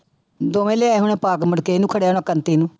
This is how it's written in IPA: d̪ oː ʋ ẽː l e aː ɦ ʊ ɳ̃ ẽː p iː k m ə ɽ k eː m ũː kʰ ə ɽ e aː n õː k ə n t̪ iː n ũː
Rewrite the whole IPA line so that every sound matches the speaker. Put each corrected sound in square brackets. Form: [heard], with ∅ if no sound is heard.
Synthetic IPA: d̪ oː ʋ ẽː l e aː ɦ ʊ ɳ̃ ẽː p [aː] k m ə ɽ k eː [n] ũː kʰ ə ɽ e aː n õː k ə n t̪ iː n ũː